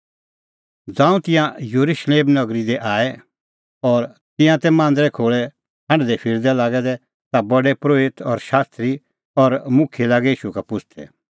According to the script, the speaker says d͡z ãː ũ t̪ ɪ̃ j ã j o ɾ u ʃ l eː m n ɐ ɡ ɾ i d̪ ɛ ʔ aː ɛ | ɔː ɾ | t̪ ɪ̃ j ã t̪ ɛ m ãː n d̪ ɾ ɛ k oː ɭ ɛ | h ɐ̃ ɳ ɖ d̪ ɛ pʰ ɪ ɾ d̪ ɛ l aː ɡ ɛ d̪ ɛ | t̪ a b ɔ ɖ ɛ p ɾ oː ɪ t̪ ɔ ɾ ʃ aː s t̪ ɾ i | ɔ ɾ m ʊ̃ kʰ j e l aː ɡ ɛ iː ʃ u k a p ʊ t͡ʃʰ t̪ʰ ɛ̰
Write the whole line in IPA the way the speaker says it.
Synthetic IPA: d͡z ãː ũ t̪ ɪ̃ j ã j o ɾ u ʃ l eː m n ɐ ɡ ɾ i d̪ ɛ ʔ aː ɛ | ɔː ɾ | t̪ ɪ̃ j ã t̪ ɛ m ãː n d̪ ɾ ɛ kʰ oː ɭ ɛ | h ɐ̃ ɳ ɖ d̪ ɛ pʰ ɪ ɾ d̪ ɛ l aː ɡ ɛ d̪ ɛ | t̪ a b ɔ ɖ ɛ p ɾ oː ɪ t̪ ɔ ɾ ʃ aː s t̪ ɾ i | ɔ ɾ m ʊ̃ kʰ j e l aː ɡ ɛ iː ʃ u k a p ʊ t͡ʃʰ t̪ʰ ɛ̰